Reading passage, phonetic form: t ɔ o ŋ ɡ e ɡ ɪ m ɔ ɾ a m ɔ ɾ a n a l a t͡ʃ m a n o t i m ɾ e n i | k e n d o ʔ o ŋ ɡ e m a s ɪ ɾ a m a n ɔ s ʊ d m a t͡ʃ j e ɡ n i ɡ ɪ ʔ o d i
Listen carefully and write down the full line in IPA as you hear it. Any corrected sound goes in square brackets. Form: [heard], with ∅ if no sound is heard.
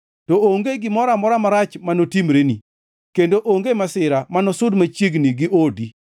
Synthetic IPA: t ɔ o ŋ ɡ e ɡ ɪ m ɔ ɾ a m ɔ ɾ a [m] a [ɾ] a t͡ʃ m a n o t i m ɾ e n i | k e n d o ʔ o ŋ ɡ e m a s ɪ ɾ a m a n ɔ s ʊ d m a t͡ʃ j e ɡ n i ɡ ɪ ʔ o d i